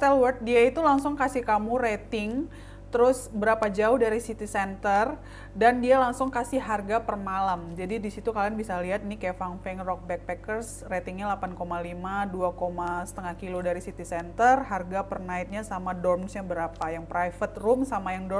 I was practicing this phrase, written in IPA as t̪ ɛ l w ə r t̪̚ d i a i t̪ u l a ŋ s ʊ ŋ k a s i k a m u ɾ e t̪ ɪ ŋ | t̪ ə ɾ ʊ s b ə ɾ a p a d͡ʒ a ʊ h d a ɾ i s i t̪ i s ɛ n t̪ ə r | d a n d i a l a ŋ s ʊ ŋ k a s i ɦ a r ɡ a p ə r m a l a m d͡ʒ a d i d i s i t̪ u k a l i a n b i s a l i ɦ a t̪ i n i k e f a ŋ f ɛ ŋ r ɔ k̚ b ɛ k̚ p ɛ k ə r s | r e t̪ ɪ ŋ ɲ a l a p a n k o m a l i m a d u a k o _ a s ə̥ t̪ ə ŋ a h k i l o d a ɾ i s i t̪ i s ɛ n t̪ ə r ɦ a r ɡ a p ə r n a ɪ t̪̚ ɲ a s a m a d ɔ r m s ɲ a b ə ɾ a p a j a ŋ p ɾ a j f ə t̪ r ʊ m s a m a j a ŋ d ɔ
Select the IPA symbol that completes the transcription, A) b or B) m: B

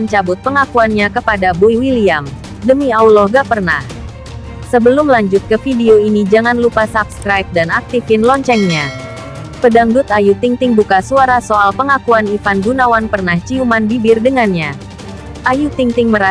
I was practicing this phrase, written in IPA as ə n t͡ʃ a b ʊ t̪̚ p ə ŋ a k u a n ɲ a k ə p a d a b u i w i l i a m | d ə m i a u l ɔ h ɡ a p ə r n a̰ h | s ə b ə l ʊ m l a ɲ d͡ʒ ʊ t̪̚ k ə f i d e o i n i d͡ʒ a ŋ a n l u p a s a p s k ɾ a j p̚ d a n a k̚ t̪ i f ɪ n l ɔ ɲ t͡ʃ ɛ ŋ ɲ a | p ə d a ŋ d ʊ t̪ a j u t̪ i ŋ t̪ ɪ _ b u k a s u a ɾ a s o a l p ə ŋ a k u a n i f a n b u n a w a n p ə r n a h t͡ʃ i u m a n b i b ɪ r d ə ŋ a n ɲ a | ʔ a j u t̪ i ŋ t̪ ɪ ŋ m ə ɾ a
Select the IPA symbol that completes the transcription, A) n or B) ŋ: B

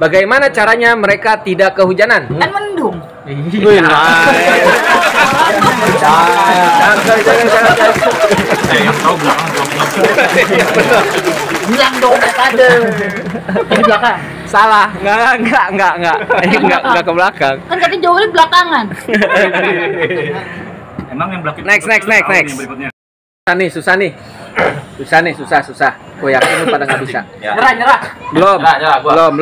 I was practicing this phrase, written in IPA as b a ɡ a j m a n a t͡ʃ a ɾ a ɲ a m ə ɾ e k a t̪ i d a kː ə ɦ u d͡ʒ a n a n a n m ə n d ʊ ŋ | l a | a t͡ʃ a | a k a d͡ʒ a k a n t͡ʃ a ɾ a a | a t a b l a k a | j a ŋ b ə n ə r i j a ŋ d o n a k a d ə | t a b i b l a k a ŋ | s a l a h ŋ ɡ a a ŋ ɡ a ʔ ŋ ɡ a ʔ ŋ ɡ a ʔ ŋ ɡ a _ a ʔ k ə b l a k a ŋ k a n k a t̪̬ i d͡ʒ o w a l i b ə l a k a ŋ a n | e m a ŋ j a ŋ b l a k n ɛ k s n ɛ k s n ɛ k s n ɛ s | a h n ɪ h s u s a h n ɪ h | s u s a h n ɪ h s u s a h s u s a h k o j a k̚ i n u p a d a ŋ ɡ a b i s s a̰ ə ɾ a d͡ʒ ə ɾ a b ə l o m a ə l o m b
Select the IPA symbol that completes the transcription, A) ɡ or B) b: A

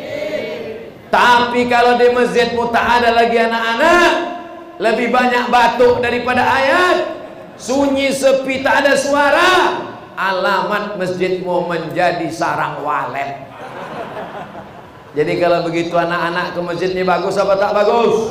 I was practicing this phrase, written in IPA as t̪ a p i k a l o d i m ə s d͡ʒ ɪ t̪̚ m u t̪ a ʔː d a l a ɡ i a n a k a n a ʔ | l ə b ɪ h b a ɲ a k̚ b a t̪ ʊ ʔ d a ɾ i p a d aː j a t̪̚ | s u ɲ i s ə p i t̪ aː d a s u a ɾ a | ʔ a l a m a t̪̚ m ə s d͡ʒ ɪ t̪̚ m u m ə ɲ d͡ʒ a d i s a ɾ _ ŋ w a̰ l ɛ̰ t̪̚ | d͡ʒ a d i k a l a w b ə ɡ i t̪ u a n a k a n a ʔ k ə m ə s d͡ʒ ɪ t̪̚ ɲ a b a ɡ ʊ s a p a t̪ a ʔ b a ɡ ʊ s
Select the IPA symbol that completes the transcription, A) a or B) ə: A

